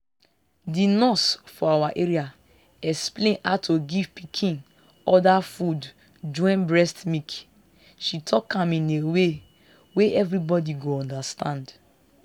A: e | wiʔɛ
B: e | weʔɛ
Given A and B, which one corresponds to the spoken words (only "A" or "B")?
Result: B